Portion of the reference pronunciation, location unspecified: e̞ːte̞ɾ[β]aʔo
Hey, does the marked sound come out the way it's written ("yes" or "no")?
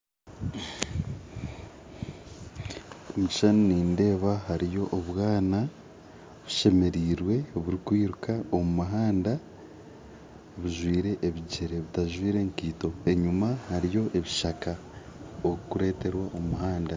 no